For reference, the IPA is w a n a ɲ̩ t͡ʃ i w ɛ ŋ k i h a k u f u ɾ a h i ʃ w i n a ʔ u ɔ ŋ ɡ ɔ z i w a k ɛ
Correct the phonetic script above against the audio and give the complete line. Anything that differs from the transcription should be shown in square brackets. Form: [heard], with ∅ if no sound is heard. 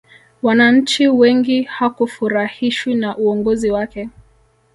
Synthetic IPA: w a n a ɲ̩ t͡ʃ i w ɛ ŋ [ɡ] i h a k u f u ɾ a h i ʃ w i n a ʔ u ɔ ŋ ɡ ɔ z i w a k ɛ